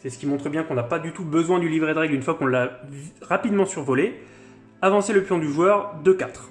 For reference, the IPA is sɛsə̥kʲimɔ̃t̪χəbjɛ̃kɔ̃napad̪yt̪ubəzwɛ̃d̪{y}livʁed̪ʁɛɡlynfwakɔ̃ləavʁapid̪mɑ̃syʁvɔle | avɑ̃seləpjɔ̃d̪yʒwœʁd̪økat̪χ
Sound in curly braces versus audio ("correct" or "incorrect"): correct